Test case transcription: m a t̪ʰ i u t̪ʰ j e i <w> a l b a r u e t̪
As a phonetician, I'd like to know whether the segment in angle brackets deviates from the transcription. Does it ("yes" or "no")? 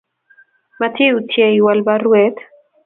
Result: no